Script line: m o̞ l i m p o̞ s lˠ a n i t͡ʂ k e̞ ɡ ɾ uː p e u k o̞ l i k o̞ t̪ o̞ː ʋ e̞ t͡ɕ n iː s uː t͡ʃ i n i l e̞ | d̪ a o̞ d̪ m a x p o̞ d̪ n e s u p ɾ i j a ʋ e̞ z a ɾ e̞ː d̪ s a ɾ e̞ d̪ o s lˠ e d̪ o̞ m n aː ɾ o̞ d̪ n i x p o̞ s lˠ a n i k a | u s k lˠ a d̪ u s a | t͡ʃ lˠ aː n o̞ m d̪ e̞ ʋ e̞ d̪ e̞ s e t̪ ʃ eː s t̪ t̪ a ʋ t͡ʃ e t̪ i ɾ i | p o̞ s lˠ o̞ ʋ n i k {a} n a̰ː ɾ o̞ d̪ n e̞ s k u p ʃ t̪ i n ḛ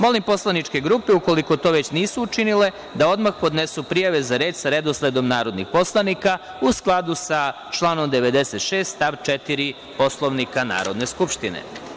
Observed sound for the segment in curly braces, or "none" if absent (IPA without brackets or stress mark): a